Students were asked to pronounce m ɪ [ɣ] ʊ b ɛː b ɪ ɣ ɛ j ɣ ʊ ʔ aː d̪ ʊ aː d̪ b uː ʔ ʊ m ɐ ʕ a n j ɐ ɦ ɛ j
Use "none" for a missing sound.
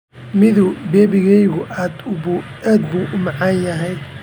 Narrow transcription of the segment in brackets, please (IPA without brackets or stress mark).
ð